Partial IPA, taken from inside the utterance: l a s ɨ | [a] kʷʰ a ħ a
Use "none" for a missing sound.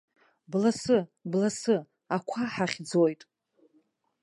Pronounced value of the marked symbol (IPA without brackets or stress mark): a